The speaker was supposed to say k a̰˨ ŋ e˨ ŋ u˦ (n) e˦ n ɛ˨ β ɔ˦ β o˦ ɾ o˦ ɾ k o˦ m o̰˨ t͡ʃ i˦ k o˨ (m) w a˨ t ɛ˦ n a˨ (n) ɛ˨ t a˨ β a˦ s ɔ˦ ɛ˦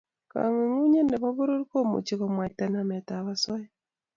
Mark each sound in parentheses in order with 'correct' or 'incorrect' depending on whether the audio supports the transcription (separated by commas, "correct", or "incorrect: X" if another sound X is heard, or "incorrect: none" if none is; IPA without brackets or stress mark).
incorrect: ɲ, correct, incorrect: m